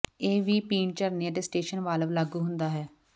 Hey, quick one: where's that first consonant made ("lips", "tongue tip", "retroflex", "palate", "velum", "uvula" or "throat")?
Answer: lips